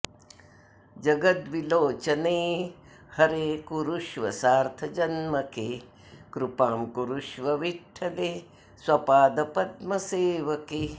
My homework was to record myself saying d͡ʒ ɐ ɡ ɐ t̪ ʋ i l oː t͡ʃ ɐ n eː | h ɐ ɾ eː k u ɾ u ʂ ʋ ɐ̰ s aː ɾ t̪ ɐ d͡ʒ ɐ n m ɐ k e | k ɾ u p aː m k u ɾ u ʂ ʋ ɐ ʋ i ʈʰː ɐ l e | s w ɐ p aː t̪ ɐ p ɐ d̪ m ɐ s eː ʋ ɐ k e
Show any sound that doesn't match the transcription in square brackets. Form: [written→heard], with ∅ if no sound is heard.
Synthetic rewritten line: d͡ʒ ɐ ɡ ɐ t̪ ʋ i l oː t͡ʃ ɐ n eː | h ɐ ɾ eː k u ɾ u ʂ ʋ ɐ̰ s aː ɾ [t̪→t̪ʰ] ɐ d͡ʒ ɐ n m ɐ k e | k ɾ u p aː m k u ɾ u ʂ ʋ ɐ ʋ i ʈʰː ɐ l e | s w ɐ p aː [t̪→d̪] ɐ p ɐ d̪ m ɐ s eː ʋ ɐ k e